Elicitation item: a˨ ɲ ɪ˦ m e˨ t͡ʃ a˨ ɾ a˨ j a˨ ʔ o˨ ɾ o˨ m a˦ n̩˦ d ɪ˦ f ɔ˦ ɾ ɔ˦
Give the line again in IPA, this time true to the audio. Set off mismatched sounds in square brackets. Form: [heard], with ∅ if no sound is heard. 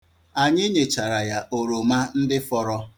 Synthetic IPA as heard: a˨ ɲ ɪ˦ [ɲ] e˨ t͡ʃ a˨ ɾ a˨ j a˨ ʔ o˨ ɾ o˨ m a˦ n̩˦ d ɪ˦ f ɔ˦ ɾ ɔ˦

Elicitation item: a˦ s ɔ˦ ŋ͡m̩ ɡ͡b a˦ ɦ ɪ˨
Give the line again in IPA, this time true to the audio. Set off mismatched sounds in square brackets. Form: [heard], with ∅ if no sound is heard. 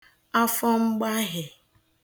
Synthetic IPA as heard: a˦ [f] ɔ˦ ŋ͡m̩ ɡ͡b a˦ ɦ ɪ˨

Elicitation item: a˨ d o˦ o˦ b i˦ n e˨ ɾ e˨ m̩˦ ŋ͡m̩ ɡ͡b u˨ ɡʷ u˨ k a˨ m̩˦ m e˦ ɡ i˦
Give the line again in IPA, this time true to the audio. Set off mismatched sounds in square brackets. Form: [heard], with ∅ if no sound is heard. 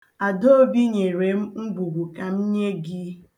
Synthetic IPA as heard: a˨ d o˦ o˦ b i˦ [ɲ] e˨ ɾ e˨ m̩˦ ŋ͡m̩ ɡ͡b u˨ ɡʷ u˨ k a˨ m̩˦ [ɲ] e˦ ɡ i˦

